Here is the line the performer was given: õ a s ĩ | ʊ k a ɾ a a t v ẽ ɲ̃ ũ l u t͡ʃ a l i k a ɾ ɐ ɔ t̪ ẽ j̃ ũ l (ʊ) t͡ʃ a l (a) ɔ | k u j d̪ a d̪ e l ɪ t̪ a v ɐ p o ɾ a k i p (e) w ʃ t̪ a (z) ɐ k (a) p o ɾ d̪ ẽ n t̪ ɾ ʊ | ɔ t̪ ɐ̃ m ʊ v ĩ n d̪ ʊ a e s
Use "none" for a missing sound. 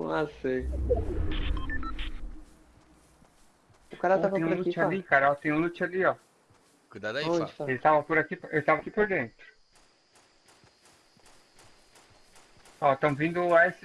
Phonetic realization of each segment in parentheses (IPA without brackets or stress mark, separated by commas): u, i, e, v, i